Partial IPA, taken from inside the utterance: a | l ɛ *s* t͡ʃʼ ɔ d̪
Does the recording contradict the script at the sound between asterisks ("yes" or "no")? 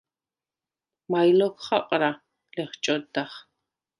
yes